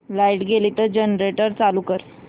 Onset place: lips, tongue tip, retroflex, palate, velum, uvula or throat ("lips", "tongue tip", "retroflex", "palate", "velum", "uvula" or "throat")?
tongue tip